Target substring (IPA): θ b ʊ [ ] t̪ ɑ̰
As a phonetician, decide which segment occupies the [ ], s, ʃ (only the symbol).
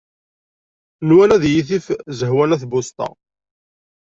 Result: s